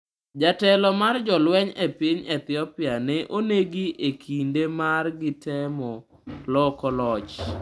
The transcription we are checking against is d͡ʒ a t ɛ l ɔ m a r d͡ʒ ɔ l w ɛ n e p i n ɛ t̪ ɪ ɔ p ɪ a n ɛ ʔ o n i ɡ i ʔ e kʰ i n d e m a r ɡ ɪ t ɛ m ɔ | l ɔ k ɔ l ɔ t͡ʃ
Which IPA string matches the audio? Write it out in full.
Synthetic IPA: d͡ʒ a t ɛ l ɔ m a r d͡ʒ ɔ l w ɛ ɲ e p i ɲ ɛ t̪ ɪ ɔ p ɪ a n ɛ ʔ o n e ɡ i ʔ e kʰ i n d e m a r ɡ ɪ t ɛ m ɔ | l ɔ k ɔ l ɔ t͡ʃ